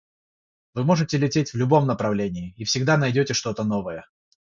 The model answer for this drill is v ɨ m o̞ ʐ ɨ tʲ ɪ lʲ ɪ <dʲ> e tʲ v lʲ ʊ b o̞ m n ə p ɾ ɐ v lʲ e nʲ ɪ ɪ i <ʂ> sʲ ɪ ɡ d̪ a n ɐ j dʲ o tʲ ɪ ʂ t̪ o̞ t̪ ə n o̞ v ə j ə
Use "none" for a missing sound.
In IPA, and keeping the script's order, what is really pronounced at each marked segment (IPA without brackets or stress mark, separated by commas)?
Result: tʲ, f